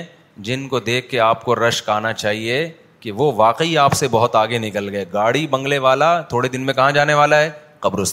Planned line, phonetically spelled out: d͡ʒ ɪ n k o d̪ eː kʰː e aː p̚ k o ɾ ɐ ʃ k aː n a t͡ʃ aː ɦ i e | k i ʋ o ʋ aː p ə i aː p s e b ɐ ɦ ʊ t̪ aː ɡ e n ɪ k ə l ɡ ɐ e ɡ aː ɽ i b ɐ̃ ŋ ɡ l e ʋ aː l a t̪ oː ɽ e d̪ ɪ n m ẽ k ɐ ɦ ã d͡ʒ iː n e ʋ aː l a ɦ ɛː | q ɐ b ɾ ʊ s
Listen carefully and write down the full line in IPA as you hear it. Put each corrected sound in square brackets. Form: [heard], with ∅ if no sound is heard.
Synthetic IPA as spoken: d͡ʒ ɪ n k o d̪ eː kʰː e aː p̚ k o ɾ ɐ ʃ k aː n a t͡ʃ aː ɦ i e | k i ʋ o ʋ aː [q] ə i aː p s e b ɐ ɦ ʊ t̪ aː ɡ e n ɪ k ə l ɡ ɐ e ɡ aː ɽ i b ɐ̃ ŋ ɡ l e ʋ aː l a [t̪ʰ] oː ɽ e d̪ ɪ n m ẽ k ɐ ɦ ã d͡ʒ [aː] n e ʋ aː l a ɦ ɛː | q ɐ b ɾ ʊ s